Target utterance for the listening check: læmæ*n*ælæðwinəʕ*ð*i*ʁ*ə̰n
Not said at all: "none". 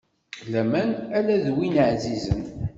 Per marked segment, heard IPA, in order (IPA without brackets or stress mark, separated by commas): n, z, z